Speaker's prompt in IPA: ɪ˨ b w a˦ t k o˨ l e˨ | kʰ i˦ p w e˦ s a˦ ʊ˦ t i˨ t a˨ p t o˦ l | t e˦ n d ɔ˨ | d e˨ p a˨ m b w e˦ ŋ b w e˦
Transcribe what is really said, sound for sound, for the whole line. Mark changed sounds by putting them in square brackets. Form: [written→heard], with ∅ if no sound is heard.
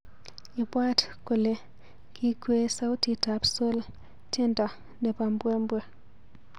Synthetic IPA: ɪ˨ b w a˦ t k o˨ l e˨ | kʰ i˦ [p→k] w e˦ s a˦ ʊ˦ t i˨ t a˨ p [t→s] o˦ l | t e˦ n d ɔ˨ | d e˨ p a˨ m b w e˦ [ŋ→m] b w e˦